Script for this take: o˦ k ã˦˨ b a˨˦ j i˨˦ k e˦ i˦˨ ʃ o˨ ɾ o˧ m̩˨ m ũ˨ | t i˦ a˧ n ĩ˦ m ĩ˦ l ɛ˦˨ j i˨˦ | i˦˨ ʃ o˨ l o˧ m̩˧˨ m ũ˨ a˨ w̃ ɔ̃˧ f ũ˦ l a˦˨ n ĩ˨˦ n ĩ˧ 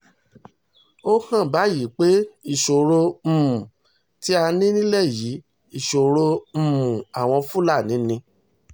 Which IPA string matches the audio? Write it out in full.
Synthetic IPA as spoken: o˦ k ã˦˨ b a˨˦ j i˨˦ k͡p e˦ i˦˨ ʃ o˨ ɾ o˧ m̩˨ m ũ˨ | t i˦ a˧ n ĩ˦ n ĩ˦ l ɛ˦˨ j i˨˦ | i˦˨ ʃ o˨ ɾ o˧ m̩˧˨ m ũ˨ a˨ w̃ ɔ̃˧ f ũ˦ l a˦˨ n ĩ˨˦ n ĩ˧

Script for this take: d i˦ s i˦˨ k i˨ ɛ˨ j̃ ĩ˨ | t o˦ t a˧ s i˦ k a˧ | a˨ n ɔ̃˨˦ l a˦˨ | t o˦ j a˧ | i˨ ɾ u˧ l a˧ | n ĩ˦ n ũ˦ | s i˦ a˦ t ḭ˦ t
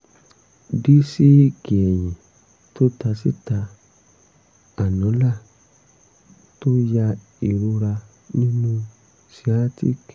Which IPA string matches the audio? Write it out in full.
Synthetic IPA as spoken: d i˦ s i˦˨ k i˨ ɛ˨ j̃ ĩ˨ | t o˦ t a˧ s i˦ t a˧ | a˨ n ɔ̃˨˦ l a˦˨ | t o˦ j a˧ | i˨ ɾ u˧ ɾ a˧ | n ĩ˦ n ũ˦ | s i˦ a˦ t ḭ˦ k

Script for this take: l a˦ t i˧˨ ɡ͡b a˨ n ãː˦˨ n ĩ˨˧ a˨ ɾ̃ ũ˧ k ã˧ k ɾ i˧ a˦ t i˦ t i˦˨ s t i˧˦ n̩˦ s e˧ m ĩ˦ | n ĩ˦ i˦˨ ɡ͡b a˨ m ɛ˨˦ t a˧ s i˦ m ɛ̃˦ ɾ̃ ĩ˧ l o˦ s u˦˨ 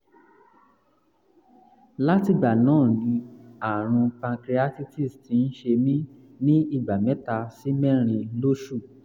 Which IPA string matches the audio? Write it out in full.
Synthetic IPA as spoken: l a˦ t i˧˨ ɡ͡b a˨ n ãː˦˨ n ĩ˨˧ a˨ ɾ̃ ũ˧ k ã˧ k ɾ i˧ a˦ t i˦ t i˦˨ s t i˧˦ n̩˦ ʃ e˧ m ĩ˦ | n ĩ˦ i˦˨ ɡ͡b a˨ m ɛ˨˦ t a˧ s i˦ m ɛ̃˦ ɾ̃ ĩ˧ l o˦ ʃ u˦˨

